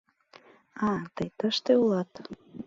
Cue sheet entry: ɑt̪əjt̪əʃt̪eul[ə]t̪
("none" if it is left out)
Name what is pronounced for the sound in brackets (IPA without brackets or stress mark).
ɑ